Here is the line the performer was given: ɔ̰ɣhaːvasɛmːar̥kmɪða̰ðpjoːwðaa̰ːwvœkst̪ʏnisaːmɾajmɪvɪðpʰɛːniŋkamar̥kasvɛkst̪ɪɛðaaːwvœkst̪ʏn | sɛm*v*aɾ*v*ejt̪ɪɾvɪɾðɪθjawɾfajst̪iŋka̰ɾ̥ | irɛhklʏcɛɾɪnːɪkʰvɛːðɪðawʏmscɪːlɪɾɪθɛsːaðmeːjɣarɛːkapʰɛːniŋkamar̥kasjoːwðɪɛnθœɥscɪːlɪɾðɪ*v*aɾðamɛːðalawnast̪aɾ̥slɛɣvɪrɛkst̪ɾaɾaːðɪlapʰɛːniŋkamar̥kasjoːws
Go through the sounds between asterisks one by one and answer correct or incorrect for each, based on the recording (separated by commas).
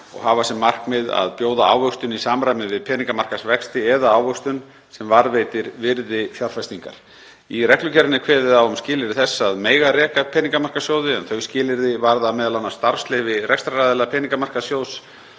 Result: correct, correct, correct